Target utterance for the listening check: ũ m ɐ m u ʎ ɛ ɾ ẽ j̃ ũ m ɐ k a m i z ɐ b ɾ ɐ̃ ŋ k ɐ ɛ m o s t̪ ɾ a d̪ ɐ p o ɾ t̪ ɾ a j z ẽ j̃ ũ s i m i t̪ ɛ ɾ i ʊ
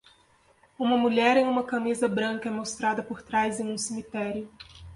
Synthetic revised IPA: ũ m ɐ m u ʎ ɛ ɾ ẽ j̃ ũ m ɐ k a m i z ɐ b ɾ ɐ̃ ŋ k ɐ ɛ m o s t̪ ɾ a d̪ ɐ p o ɾ t̪ ɾ a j z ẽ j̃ ũ s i m i t̪ ɛ ɾ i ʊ